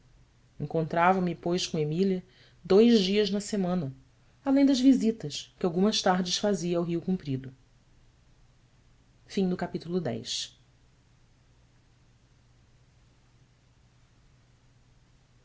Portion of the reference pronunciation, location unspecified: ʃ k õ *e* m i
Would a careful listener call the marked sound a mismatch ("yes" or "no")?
no